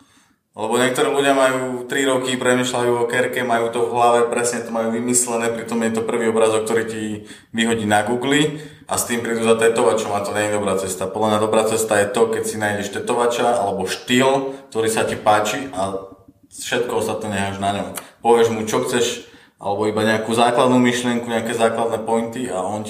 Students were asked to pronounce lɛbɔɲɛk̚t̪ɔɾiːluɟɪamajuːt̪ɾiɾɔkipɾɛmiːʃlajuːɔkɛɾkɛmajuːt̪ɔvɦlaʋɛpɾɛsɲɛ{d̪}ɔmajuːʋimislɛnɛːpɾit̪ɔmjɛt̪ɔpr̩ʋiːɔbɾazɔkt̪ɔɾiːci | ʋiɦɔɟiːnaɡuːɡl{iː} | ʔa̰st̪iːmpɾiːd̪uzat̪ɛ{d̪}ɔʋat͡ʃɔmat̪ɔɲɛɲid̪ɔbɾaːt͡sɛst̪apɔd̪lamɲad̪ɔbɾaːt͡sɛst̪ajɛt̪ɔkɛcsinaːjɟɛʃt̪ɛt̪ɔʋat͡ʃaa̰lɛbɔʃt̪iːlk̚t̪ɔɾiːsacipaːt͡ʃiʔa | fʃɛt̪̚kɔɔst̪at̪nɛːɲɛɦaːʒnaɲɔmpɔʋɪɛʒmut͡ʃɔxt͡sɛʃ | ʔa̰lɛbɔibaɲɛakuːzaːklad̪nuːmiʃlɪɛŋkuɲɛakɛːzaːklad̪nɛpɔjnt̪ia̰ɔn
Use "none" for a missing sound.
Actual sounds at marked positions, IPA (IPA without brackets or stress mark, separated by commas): t̪, i, t̪